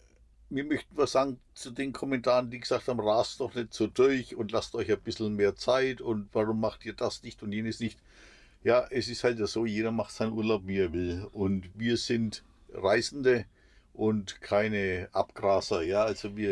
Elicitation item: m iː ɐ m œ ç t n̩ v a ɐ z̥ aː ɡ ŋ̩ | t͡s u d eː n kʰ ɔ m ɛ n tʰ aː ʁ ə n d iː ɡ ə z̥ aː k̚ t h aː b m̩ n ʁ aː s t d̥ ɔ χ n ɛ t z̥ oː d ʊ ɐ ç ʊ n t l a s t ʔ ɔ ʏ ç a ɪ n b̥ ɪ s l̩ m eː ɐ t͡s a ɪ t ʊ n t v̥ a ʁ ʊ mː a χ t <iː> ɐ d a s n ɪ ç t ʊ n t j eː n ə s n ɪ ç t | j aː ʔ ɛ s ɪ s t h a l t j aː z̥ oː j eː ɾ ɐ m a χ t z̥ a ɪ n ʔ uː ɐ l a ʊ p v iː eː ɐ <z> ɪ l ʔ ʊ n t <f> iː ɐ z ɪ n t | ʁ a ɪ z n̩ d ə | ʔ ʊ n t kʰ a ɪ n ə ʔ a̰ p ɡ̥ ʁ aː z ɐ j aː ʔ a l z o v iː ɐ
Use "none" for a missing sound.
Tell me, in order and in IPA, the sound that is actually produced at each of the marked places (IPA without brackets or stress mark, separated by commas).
iː, v, v